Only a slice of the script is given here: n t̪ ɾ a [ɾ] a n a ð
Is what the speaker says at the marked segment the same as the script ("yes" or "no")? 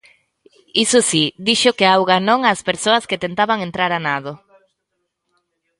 yes